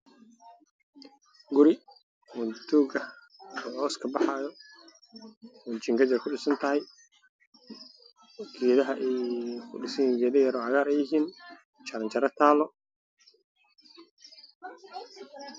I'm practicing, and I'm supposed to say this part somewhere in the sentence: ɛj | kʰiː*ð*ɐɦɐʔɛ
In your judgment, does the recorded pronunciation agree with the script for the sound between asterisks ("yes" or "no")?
yes